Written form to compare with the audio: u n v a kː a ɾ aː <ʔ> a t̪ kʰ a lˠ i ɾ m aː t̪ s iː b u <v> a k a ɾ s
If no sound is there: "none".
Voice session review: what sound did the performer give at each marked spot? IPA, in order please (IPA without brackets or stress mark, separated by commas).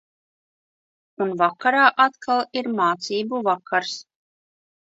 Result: ʔ, v